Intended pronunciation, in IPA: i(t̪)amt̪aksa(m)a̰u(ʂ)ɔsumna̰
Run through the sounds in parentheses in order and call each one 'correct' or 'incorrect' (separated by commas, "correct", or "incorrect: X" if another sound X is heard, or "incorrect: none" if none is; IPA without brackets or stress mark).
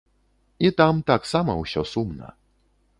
correct, correct, incorrect: ɕ